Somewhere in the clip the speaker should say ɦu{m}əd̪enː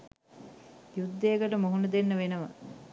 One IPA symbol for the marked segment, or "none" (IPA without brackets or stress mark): n